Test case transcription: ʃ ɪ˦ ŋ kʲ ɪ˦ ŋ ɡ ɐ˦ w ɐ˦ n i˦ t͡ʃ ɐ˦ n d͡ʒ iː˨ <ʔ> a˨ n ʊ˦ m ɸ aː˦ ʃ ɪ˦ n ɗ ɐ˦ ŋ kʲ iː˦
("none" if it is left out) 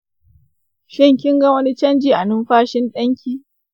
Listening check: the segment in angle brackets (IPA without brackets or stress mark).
ʔ